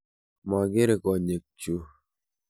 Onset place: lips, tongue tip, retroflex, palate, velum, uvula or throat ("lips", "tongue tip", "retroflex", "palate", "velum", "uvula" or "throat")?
lips